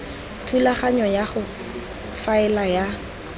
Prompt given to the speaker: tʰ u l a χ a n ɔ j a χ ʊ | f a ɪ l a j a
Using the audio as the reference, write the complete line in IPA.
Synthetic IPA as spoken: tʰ u l a χ a ɲ ɔ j a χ ʊ | f a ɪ l a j a